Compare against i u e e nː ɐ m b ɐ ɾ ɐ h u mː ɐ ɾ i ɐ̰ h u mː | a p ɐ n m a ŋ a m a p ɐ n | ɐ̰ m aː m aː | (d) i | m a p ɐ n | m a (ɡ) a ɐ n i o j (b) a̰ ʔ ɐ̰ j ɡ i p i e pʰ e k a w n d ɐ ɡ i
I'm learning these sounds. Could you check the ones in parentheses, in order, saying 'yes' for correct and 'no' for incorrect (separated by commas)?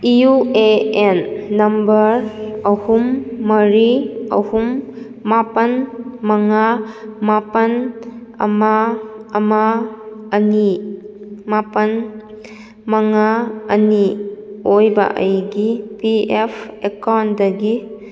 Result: no, no, yes